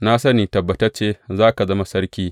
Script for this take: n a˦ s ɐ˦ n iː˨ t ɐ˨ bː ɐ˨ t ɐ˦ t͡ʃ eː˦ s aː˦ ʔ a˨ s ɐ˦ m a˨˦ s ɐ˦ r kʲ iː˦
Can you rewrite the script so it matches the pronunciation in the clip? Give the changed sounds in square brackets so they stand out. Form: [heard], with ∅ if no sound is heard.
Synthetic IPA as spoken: n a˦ s ɐ˦ n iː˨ t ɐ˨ bː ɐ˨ t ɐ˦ t͡ʃ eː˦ [z] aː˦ [k] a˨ [z] ɐ˦ m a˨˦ s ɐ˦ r kʲ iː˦